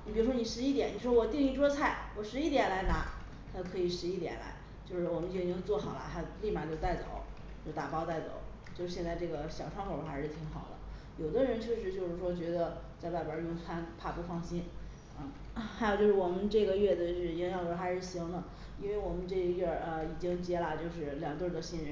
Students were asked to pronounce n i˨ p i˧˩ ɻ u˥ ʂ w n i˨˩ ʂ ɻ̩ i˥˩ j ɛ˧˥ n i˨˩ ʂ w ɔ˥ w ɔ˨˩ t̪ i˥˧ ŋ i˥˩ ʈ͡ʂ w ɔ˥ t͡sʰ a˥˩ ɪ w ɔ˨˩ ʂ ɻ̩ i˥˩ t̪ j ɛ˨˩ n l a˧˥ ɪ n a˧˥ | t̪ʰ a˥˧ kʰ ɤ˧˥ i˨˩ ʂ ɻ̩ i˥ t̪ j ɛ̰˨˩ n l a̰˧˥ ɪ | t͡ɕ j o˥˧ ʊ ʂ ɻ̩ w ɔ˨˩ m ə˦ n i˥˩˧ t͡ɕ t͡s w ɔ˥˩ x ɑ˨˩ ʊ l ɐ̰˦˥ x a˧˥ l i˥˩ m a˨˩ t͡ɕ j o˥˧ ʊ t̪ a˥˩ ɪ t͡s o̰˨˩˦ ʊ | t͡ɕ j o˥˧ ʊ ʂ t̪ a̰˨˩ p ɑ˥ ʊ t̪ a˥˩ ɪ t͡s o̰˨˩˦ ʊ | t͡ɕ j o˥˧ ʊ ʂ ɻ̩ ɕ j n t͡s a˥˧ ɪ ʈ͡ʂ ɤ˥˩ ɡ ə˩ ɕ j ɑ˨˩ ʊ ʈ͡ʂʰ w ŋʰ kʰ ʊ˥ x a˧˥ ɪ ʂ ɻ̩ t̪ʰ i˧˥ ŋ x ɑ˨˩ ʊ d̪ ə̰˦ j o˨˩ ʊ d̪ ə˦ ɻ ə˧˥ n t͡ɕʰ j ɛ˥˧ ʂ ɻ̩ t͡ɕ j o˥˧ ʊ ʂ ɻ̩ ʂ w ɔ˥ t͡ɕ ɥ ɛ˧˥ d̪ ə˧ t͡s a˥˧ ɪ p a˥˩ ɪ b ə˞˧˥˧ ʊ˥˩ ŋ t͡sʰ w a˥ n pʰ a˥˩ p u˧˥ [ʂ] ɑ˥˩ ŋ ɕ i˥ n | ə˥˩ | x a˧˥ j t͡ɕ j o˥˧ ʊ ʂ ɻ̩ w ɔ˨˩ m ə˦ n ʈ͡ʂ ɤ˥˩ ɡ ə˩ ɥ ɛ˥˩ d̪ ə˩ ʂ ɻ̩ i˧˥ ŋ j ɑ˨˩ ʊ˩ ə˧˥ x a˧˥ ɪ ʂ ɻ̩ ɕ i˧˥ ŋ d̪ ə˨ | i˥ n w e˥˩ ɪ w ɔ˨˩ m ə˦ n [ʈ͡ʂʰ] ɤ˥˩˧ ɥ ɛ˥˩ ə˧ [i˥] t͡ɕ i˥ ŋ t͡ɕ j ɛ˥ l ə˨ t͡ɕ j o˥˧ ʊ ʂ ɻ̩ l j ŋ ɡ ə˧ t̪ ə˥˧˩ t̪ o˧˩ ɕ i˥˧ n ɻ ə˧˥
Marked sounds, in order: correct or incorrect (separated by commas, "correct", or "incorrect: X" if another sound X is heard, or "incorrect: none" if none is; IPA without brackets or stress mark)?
incorrect: f, incorrect: ʈ͡ʂ, incorrect: i˨˩